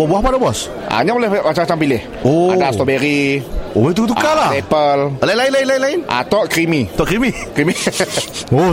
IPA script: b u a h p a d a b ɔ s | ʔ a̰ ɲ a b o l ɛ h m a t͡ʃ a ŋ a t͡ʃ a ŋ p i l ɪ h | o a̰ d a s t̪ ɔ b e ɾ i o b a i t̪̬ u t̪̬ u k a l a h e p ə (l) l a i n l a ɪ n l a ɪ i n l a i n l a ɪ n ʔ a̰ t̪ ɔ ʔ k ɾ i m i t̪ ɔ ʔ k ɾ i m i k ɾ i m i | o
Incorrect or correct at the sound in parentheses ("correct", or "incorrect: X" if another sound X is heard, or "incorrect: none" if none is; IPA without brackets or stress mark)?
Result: correct